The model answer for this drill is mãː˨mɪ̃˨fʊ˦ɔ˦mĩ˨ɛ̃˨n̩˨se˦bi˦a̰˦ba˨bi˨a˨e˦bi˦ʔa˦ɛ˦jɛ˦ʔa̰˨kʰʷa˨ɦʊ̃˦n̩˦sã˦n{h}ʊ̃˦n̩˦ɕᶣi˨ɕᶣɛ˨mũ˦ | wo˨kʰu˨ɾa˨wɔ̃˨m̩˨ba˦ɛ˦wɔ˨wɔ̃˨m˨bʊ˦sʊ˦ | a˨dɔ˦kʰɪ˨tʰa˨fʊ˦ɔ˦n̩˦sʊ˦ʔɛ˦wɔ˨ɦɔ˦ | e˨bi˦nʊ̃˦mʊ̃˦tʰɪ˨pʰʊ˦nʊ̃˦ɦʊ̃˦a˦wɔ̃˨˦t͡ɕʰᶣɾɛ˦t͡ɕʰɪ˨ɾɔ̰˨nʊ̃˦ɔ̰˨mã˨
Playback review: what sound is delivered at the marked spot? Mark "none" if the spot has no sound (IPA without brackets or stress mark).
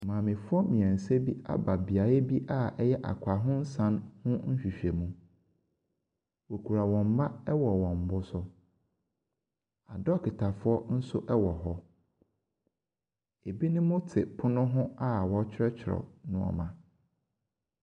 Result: h